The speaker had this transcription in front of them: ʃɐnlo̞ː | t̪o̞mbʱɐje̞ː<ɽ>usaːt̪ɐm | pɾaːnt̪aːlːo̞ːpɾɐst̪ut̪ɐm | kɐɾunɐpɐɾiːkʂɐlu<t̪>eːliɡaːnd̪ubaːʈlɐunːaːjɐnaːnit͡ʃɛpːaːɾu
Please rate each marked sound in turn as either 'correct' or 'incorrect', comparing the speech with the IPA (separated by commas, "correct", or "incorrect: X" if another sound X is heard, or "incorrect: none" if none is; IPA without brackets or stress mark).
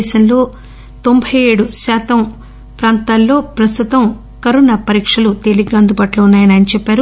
correct, correct